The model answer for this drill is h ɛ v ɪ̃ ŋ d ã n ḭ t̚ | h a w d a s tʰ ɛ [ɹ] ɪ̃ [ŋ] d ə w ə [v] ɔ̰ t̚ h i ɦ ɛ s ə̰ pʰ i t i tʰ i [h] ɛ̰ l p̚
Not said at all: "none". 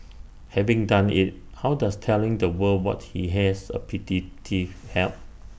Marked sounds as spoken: l, ŋ, w, h

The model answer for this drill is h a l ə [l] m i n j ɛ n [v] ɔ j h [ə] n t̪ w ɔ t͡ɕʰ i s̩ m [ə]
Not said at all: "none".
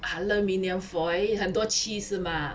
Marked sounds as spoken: none, f, ə, a

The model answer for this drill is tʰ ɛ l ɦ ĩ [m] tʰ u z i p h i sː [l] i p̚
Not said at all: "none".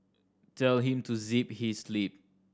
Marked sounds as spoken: m, l

